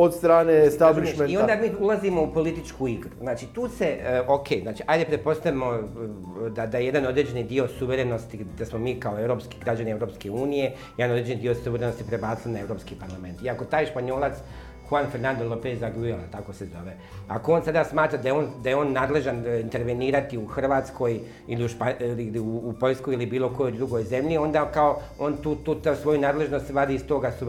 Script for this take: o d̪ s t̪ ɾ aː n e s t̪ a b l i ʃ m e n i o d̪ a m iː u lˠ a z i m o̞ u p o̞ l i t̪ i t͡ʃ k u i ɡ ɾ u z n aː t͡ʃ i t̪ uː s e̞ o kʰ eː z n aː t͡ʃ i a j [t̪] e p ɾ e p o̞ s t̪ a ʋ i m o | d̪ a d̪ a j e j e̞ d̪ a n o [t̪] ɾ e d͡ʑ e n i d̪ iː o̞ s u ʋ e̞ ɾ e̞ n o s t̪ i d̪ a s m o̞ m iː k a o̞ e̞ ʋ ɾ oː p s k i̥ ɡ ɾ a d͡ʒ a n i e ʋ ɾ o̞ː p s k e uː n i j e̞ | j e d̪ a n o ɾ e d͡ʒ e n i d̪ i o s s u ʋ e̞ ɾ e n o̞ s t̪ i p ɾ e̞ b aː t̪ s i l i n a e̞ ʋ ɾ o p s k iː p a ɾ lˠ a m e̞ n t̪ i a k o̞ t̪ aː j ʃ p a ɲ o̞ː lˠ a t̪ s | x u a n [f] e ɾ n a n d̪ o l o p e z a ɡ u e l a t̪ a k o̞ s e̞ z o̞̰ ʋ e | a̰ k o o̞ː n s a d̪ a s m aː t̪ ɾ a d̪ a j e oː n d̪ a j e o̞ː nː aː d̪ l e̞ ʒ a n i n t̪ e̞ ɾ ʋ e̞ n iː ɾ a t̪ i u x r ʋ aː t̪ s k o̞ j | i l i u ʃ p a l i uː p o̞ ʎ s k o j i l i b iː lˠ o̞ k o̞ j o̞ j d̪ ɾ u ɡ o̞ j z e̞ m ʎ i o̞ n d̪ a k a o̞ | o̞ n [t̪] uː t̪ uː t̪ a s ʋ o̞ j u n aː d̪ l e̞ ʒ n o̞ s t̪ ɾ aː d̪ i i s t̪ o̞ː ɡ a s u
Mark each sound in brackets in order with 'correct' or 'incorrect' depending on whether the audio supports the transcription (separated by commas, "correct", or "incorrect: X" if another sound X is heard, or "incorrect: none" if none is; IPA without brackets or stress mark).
incorrect: d̪, incorrect: d̪, correct, correct